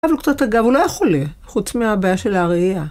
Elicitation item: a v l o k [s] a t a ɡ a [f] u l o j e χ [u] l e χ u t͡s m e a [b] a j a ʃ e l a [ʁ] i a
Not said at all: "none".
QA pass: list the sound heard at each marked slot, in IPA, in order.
t͡s, v, o, b, ʁ

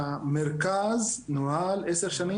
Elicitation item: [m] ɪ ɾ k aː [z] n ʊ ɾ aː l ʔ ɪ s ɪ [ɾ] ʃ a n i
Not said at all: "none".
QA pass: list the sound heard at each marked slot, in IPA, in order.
m, z, ɾ

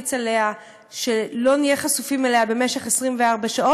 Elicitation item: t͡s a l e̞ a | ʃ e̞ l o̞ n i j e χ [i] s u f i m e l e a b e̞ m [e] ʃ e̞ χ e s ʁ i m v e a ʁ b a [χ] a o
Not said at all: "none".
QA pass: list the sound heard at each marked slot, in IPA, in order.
a, e, ʃ

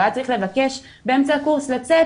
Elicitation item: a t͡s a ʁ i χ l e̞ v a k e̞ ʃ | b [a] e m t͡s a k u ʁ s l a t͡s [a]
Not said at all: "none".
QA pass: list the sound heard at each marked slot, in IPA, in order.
e, e

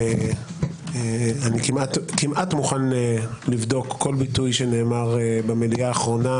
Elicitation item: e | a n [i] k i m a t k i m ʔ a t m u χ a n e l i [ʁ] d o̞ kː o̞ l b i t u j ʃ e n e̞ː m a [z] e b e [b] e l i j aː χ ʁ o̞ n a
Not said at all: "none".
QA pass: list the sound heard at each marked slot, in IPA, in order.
i, v, ʁ, m

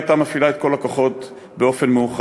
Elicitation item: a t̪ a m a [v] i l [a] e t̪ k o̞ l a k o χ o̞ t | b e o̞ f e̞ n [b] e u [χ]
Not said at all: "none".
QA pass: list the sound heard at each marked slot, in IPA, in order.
f, a, m, χ

